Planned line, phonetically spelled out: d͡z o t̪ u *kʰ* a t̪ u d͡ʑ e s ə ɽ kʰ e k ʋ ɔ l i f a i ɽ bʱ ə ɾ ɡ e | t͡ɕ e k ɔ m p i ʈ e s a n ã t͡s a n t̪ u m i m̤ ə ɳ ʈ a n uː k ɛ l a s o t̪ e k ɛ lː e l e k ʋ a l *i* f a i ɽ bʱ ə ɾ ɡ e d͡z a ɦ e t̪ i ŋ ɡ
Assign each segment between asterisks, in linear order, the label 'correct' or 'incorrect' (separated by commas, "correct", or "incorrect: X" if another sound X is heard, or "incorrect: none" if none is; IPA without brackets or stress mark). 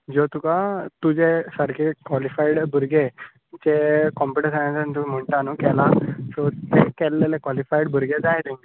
incorrect: k, correct